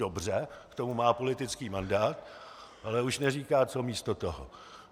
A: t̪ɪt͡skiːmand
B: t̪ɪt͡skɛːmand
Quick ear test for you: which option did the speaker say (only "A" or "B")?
A